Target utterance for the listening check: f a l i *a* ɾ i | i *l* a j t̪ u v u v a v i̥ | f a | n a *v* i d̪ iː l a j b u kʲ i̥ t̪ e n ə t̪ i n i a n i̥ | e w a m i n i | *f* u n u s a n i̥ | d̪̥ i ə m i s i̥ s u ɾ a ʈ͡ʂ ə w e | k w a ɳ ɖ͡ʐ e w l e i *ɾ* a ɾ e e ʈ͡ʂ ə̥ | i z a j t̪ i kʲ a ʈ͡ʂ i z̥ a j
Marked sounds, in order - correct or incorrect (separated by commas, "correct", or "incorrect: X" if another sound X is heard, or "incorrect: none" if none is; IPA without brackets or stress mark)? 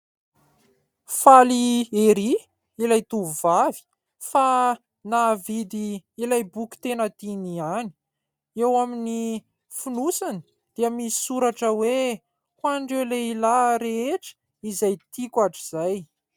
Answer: incorrect: e, correct, correct, correct, incorrect: l